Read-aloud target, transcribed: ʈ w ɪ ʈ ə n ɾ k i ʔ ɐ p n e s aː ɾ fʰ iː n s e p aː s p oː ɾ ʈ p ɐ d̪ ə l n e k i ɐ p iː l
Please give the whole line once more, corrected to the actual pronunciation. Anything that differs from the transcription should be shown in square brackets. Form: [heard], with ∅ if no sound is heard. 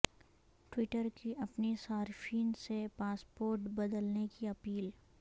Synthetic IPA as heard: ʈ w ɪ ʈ ə [∅] ɾ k i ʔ ɐ p n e s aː ɾ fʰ iː n s e p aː s p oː ɾ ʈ [b] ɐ d̪ ə l n e k i ɐ p iː l